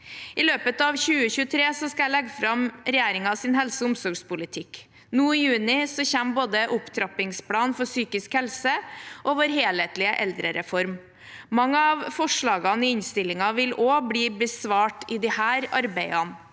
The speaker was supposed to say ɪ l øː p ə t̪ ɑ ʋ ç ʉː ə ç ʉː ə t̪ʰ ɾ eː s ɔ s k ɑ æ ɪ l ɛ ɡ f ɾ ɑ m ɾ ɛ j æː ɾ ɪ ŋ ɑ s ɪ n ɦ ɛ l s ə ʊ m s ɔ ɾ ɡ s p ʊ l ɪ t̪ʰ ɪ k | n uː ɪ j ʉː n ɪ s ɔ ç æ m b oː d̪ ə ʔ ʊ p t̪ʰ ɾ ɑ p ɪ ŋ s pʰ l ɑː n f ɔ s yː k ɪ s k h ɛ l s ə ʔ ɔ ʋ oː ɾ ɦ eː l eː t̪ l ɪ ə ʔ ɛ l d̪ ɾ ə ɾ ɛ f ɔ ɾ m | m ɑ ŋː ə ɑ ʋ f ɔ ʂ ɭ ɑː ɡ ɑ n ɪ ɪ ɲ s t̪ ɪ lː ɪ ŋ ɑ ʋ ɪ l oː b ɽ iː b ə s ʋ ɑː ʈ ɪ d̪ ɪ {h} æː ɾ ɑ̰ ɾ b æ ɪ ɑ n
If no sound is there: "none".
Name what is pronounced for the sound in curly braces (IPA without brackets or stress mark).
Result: h